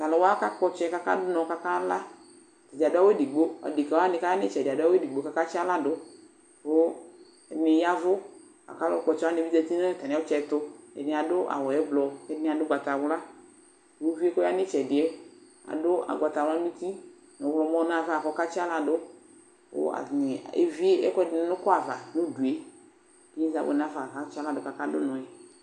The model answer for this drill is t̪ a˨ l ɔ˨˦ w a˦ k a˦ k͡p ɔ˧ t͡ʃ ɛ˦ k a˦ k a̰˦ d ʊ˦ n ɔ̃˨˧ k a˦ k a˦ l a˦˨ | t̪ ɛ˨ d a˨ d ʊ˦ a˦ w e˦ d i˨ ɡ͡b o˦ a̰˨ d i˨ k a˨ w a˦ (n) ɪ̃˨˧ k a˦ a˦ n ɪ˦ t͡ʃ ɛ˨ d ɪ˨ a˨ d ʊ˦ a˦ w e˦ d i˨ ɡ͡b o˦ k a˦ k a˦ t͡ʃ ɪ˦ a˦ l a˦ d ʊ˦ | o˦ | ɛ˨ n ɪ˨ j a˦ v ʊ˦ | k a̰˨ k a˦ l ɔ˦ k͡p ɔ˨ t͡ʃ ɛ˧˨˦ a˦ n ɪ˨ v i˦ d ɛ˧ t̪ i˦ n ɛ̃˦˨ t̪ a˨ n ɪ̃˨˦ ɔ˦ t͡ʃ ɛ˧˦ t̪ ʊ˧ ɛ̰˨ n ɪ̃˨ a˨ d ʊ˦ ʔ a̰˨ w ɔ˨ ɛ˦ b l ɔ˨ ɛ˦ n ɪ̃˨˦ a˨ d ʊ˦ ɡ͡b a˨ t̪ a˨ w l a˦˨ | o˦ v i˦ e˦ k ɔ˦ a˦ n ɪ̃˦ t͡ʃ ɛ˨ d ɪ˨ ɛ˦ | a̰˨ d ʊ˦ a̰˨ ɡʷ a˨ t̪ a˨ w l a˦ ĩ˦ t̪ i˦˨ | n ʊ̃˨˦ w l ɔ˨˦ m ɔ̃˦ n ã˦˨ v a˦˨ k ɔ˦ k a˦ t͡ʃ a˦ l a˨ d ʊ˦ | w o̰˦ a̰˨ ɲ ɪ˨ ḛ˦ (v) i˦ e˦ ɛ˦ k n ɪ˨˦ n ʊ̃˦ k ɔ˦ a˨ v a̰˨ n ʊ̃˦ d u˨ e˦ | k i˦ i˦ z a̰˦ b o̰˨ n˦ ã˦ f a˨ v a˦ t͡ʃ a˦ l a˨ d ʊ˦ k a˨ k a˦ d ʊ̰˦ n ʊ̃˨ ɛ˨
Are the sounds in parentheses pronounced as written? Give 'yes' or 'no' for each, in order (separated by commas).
yes, yes